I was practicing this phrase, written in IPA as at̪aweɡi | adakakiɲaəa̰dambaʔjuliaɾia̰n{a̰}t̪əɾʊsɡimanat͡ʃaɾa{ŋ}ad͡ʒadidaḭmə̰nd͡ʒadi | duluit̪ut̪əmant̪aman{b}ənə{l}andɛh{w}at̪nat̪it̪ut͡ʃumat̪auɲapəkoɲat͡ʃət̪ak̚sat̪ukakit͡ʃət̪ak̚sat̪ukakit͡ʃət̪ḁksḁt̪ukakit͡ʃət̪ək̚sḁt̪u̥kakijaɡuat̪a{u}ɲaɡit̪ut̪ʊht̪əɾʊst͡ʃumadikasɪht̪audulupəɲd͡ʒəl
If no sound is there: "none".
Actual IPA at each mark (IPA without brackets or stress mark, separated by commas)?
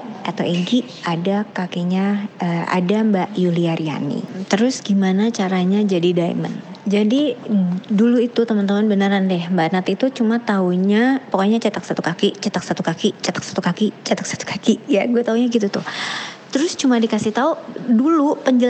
ḭ, ɲ, b, ɾ, b, u